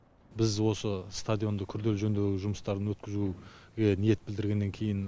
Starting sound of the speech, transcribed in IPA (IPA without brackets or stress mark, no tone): b